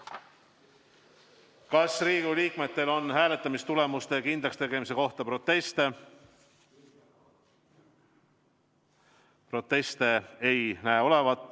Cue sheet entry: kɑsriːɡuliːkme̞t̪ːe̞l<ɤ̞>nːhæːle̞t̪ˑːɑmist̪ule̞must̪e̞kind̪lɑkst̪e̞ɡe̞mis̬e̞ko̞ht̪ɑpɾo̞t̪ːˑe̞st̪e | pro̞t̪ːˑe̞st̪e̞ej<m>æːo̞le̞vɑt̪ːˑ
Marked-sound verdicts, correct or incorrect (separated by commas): incorrect, incorrect